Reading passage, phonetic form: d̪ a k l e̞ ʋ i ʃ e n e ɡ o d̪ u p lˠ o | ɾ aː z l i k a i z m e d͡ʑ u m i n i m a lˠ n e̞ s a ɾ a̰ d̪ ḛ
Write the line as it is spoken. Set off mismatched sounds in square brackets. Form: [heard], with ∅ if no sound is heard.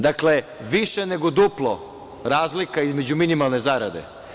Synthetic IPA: d̪ a k l e̞ ʋ i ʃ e n e ɡ o d̪ u p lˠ o | ɾ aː z l i k a i z m e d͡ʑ u m i n i m a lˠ n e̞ [z] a ɾ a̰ d̪ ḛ